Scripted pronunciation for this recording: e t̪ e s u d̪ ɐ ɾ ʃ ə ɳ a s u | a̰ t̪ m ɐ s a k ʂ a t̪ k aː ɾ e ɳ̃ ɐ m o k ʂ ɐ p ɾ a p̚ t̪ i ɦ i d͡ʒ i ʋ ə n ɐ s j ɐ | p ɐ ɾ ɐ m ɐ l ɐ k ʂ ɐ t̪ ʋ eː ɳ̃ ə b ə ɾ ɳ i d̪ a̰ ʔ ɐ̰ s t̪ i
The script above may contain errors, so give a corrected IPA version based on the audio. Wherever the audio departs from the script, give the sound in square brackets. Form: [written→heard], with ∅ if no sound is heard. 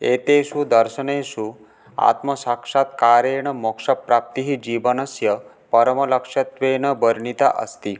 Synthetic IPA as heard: e t̪ e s u d̪ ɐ ɾ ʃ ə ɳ [a→e] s u | a̰ t̪ m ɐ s a k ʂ a t̪ k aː ɾ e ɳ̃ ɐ m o k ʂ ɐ p ɾ a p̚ t̪ i ɦ i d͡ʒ i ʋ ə n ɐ s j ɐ | p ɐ ɾ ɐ m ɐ l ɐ k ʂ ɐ t̪ ʋ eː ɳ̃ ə b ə ɾ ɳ i [d̪→t̪] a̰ ʔ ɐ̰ s t̪ i

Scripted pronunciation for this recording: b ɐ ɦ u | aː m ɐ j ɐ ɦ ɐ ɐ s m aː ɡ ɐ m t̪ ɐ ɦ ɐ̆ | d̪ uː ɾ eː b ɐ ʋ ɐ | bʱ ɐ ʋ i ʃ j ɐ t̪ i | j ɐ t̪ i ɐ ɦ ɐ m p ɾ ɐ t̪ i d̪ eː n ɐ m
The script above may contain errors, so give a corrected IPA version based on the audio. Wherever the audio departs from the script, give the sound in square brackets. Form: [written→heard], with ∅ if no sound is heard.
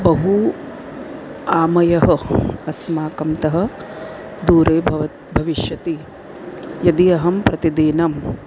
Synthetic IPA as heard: b ɐ ɦ u | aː m ɐ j ɐ ɦ ɐ ɐ s m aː [ɡ→k] ɐ m t̪ ɐ ɦ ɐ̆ | d̪ uː ɾ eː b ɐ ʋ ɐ | bʱ ɐ ʋ i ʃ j ɐ t̪ i | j ɐ [t̪→d̪] i ɐ ɦ ɐ m p ɾ ɐ t̪ i d̪ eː n ɐ m

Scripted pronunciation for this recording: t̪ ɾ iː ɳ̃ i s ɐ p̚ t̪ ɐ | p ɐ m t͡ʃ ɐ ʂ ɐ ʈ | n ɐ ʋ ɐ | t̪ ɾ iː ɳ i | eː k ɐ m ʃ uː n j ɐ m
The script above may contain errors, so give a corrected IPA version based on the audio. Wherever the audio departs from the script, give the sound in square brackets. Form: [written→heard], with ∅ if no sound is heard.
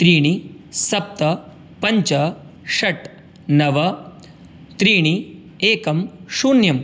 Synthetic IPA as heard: t̪ ɾ iː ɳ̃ i s ɐ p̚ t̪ ɐ | p ɐ [m→ɲ] t͡ʃ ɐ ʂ ɐ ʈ | n ɐ ʋ ɐ | t̪ ɾ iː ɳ i | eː k ɐ m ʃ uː n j ɐ m

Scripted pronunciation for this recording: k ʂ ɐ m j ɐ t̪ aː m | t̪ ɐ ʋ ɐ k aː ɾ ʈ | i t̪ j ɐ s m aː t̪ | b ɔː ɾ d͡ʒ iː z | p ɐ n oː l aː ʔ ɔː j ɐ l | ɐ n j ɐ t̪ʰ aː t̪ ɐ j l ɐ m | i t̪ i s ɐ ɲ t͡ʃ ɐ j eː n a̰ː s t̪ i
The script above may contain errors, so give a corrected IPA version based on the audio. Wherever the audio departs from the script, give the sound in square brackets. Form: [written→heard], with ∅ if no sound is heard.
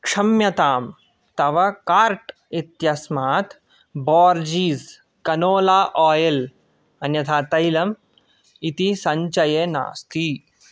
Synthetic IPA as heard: k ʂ ɐ m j ɐ t̪ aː m | t̪ ɐ ʋ ɐ k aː ɾ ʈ | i t̪ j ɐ s m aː t̪ | b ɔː ɾ d͡ʒ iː z | [p→k] ɐ n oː l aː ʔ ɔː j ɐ l | ɐ n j ɐ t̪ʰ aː t̪ ɐ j l ɐ m | i t̪ i s ɐ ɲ t͡ʃ ɐ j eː n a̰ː s t̪ i

